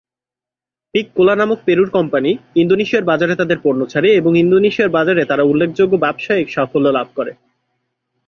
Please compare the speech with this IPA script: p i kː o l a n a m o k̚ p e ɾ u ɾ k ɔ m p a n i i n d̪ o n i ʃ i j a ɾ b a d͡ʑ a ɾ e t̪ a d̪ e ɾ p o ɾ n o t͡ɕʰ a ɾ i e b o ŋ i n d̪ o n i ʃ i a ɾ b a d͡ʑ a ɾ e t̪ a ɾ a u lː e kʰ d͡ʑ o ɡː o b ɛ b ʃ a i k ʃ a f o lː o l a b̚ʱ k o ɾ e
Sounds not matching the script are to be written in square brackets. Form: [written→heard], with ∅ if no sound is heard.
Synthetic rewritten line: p i kː o l a n a m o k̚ p e ɾ u ɾ k ɔ m p a n i i n d̪ o n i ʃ i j a ɾ b a d͡ʑ a ɾ e t̪ a d̪ e ɾ p o ɾ n o t͡ɕʰ a ɾ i e b o ŋ i n d̪ o n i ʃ i a ɾ b a d͡ʑ a ɾ e t̪ a ɾ a u lː e kʰ d͡ʑ o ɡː o b ɛ b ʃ a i k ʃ a f o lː o l a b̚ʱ k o ɾ e